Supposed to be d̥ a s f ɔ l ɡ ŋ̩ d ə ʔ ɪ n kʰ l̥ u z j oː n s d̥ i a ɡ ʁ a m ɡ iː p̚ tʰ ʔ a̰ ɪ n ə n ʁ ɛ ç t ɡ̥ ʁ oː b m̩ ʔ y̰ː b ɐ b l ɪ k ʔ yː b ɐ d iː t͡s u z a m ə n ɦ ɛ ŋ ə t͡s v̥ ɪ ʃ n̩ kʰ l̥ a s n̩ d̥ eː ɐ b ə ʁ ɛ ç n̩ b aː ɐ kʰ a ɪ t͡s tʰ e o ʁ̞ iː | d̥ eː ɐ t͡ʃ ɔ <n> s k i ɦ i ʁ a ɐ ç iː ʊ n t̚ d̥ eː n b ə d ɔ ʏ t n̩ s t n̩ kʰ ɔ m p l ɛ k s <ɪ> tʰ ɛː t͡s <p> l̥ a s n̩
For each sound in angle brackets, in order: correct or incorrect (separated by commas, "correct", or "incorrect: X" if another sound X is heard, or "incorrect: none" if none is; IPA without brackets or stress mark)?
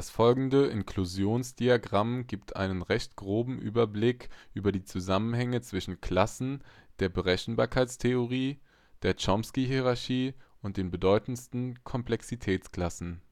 incorrect: m, incorrect: i, incorrect: k